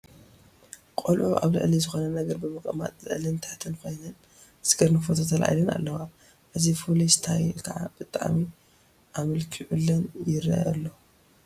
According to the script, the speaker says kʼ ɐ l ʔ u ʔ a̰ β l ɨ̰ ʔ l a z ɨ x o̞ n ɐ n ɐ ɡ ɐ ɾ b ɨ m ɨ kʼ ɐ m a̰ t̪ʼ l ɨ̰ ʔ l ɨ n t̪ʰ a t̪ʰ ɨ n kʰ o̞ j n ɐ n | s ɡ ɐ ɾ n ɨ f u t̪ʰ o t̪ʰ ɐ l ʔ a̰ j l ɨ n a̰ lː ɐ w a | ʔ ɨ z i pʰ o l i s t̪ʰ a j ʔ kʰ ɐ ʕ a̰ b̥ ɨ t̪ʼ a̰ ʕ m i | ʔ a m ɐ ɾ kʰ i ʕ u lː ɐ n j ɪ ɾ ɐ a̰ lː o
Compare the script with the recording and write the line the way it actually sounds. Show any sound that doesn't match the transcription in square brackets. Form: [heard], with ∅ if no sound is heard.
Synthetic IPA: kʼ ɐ l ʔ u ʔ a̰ β l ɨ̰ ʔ l [i] z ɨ x o̞ n ɐ n ɐ ɡ ɐ ɾ b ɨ m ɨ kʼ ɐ m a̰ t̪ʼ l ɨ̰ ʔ l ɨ n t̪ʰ a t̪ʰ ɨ n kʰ o̞ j n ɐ n | s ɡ ɐ ɾ n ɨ f [o] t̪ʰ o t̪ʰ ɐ l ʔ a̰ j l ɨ n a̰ lː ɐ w a | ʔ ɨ z i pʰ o l i s t̪ʰ a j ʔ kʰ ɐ ʕ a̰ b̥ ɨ t̪ʼ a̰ ʕ m i | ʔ a m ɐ [l] kʰ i ʕ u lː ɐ n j ɪ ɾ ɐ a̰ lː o